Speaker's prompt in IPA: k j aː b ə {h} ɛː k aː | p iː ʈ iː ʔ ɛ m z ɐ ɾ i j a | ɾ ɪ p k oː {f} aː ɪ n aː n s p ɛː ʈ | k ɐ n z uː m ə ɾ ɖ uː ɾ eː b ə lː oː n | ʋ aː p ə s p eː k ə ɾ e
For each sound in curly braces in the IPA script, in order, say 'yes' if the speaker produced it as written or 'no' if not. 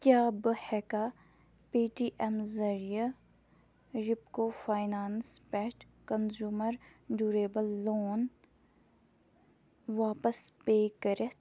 yes, yes

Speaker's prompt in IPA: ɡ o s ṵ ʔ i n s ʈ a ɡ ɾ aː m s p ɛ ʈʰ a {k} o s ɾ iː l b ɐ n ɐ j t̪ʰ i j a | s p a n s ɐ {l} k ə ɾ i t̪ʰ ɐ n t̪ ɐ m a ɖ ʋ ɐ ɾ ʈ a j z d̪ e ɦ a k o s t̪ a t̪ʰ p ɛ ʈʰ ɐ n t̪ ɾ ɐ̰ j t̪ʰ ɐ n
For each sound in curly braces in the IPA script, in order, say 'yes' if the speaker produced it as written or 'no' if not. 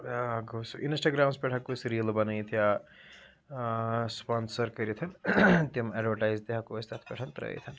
yes, no

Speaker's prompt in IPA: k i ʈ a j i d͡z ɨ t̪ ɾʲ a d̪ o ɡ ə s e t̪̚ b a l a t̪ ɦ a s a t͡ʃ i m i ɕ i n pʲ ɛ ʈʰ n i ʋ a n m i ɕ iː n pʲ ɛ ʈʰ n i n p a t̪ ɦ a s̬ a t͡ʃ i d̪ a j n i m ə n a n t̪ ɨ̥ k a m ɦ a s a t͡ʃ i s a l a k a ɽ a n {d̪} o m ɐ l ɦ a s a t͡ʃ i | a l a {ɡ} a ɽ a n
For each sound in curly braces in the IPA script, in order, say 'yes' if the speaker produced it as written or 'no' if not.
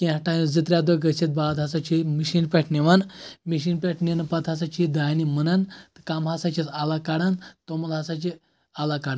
no, no

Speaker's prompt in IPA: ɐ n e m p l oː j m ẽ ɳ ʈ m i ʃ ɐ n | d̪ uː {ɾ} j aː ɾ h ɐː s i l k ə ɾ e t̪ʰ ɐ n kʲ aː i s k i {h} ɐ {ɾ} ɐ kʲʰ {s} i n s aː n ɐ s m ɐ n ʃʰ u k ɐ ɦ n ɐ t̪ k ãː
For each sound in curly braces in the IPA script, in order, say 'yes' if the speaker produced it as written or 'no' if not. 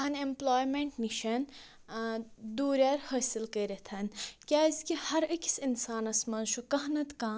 yes, yes, yes, yes

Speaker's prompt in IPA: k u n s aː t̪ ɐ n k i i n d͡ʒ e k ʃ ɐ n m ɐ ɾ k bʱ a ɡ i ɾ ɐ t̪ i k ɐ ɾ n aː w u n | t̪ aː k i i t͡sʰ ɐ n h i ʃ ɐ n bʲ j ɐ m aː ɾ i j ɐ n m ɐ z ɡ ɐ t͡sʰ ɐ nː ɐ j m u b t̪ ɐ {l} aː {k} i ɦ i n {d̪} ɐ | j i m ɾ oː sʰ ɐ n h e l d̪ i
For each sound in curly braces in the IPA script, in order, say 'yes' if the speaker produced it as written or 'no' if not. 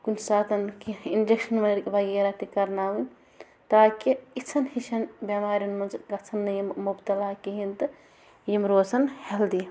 yes, yes, no

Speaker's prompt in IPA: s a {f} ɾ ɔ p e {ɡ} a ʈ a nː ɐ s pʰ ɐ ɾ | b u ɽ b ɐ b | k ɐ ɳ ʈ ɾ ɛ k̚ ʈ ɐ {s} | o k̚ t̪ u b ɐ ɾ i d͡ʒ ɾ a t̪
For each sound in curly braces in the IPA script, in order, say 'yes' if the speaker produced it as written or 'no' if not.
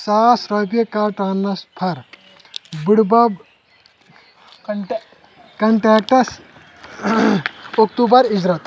no, no, yes

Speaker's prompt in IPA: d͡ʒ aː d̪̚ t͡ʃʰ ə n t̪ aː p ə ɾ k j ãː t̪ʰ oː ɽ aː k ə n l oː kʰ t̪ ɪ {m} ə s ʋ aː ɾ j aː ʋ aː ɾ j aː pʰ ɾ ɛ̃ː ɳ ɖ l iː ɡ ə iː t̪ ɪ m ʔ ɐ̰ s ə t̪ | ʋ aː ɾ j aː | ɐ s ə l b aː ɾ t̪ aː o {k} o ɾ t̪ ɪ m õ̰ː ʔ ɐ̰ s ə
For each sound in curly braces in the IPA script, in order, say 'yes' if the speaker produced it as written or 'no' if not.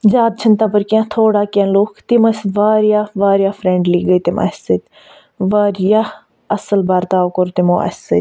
yes, yes

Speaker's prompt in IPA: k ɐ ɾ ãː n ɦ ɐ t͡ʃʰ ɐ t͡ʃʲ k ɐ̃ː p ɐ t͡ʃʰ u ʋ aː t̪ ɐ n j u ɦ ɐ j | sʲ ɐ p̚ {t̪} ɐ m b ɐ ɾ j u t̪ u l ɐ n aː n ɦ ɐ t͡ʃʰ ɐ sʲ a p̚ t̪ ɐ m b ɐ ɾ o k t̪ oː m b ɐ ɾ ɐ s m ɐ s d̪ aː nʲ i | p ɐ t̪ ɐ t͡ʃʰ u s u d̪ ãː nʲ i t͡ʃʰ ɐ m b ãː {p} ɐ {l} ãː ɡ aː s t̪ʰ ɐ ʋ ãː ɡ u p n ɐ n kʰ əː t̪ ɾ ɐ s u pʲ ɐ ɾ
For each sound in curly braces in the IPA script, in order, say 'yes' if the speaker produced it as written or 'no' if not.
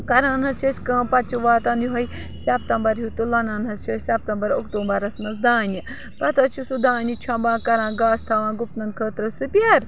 yes, no, no

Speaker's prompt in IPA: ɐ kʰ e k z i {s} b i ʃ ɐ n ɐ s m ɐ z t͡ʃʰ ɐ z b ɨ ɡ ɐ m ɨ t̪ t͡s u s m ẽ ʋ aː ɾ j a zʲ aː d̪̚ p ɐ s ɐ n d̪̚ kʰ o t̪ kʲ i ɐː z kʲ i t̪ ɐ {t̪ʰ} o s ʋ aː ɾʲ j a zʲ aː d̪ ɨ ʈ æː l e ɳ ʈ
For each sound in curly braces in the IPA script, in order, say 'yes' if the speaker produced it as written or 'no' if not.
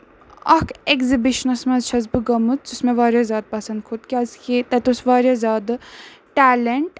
no, no

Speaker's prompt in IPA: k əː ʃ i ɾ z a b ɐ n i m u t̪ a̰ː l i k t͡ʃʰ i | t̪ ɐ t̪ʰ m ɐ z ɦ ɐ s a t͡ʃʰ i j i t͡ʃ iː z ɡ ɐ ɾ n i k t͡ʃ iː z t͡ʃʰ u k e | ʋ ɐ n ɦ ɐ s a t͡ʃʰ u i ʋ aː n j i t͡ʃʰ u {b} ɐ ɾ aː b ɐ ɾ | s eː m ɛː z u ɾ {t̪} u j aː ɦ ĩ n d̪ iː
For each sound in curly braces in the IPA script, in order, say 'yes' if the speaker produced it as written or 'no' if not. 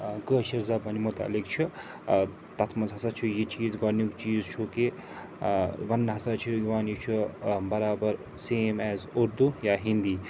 yes, no

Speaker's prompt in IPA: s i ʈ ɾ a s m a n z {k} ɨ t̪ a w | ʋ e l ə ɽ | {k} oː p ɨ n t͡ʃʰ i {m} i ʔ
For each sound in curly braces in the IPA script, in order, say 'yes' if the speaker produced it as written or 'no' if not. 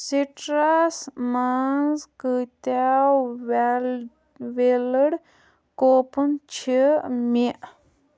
yes, yes, yes

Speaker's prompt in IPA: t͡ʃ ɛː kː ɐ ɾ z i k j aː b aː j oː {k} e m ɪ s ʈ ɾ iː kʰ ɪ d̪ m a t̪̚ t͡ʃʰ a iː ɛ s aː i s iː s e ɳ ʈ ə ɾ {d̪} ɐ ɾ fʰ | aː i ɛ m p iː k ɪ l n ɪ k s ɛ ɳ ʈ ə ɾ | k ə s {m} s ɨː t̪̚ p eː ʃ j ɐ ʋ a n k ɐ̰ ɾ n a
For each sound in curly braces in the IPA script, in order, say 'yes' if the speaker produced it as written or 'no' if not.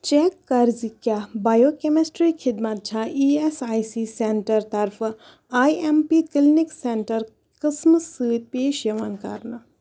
yes, no, yes

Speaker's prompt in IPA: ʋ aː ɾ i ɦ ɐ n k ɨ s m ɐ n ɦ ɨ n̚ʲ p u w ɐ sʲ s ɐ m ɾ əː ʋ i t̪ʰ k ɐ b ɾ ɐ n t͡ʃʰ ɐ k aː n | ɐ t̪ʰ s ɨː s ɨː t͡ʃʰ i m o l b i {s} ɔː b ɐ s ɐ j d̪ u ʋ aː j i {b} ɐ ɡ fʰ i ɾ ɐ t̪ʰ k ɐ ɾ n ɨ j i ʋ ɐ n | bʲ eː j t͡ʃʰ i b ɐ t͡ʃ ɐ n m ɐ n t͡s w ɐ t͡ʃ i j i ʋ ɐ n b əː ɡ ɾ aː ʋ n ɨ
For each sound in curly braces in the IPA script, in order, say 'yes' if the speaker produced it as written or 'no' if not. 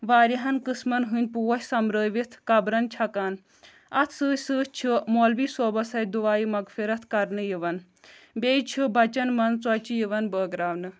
yes, no

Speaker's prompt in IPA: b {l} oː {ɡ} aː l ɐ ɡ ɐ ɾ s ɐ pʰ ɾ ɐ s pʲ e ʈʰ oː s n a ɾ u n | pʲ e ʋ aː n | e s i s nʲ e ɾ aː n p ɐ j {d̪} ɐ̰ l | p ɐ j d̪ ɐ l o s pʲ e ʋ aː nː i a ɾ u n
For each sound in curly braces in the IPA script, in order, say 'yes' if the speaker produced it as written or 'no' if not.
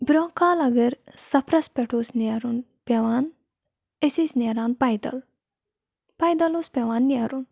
no, no, yes

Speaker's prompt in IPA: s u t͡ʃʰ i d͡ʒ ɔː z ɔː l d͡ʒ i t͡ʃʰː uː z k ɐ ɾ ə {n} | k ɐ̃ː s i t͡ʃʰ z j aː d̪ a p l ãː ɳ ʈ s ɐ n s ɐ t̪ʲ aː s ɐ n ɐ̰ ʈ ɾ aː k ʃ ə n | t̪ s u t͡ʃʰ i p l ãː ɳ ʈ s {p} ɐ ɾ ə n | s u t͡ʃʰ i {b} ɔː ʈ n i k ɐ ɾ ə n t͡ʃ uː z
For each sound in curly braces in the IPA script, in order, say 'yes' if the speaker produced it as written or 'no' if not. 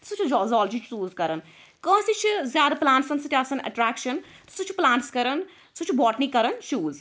yes, no, yes

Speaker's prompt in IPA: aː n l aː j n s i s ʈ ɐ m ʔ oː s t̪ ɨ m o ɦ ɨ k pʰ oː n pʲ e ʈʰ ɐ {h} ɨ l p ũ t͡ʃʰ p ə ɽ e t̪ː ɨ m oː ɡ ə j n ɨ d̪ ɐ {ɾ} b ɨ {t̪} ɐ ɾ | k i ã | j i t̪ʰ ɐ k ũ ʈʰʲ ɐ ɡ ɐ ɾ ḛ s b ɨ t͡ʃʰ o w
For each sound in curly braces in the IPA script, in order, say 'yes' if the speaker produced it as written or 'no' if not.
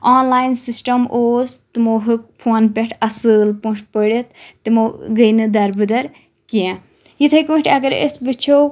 no, yes, no

